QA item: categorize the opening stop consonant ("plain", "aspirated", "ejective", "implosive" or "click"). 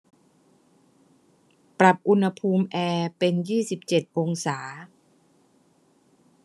plain